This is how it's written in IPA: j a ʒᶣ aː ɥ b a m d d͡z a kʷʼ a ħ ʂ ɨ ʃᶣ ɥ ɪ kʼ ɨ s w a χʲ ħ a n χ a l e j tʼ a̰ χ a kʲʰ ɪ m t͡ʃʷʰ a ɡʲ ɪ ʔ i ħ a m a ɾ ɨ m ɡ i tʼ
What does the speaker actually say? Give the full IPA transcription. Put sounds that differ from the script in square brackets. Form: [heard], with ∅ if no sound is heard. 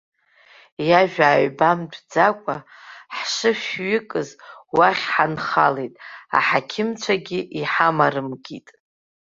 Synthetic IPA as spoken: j a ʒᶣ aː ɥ b a m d d͡z a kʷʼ a ħ ʂ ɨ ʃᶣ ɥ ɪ kʼ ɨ [z] w a χʲ ħ a n χ a l e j tʼ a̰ [ħ] a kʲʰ ɪ m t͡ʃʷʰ a ɡʲ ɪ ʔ i ħ a m a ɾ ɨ m ɡ i tʼ